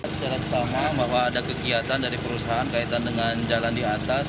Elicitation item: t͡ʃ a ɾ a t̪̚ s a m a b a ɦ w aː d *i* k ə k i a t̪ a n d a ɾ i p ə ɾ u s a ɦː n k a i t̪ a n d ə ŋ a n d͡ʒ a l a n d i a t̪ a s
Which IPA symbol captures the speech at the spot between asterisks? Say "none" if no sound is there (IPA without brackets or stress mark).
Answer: a